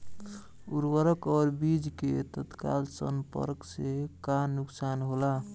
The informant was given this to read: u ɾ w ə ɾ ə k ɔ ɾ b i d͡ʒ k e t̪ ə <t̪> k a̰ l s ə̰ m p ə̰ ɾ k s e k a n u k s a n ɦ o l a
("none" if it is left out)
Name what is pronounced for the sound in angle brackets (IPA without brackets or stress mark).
t̪